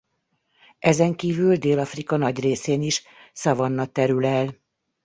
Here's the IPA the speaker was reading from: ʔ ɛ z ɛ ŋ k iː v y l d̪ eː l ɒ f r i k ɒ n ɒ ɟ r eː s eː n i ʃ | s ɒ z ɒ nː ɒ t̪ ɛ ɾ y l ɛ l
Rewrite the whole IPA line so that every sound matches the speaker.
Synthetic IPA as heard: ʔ ɛ z ɛ ŋ k iː v y l d̪ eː l ɒ f r i k ɒ n ɒ ɟ r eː s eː n i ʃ | s ɒ v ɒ nː ɒ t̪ ɛ ɾ y l ɛ l